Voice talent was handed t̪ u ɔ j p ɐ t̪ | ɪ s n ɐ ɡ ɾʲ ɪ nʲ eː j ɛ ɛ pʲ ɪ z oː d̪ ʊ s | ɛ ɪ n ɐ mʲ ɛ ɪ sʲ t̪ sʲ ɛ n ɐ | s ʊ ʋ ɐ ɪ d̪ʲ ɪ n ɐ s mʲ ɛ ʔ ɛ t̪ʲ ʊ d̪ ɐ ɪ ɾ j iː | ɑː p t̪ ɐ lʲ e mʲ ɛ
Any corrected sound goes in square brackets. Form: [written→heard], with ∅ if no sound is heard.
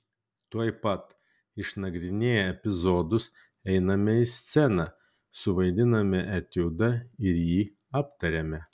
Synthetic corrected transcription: t̪ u ɔ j p ɐ t̪ | ɪ [s→ʃ] n ɐ ɡ ɾʲ ɪ nʲ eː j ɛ ɛ pʲ ɪ z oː d̪ ʊ s | ɛ ɪ n ɐ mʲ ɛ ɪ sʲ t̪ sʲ ɛ n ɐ | s ʊ ʋ ɐ ɪ d̪ʲ ɪ n ɐ [s→∅] mʲ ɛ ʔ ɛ t̪ʲ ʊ d̪ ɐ ɪ ɾ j iː | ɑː p t̪ ɐ [lʲ→ɾʲ] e mʲ ɛ